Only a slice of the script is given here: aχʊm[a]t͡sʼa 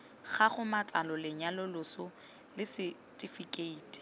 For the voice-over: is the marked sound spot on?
yes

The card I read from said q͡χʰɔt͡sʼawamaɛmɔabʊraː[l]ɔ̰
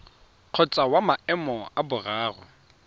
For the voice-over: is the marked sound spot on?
no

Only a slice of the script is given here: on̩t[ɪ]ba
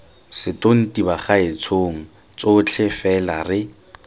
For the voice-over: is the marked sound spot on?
no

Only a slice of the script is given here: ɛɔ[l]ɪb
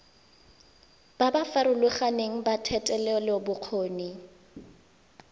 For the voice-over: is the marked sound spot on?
yes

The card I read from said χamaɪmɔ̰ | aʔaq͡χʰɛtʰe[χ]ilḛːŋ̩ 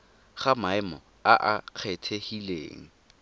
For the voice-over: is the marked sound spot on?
no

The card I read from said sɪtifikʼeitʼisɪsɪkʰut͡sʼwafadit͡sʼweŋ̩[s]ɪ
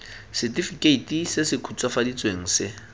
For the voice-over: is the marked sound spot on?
yes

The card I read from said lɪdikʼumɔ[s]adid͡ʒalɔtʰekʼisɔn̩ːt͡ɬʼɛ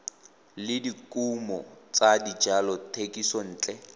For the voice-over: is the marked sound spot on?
no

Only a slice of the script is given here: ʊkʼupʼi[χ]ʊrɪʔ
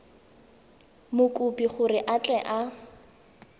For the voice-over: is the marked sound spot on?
yes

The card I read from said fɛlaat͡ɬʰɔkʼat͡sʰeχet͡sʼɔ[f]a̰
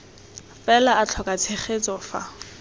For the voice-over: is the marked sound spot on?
yes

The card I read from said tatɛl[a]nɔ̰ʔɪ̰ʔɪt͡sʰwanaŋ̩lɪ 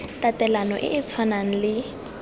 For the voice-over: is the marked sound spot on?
yes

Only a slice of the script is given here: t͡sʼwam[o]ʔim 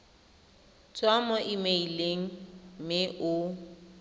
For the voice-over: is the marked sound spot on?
no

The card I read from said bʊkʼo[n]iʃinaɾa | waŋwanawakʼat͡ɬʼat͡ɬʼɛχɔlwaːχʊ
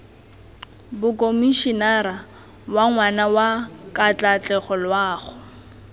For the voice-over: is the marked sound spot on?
no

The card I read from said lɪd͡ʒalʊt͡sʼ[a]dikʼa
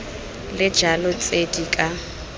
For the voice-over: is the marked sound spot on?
no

